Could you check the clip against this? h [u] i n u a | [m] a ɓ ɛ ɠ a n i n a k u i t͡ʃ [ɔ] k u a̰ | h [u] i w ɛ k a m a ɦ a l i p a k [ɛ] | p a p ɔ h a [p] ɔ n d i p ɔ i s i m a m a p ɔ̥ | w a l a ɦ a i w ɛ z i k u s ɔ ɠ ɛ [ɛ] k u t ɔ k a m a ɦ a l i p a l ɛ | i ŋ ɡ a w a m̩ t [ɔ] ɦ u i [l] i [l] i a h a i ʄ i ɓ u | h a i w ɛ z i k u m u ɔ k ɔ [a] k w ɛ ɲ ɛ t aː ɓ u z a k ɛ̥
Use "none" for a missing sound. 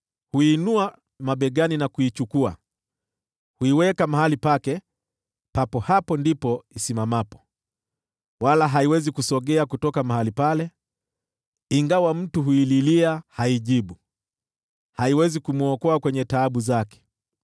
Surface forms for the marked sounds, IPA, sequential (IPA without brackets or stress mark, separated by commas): u, m, u, u, ɛ, p, a, u, l, l, a